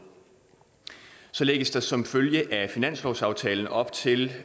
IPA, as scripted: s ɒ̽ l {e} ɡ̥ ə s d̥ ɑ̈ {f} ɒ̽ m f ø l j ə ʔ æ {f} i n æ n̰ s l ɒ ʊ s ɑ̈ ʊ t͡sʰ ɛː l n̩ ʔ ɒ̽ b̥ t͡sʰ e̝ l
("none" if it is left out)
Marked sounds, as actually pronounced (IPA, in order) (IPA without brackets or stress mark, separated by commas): e, s, f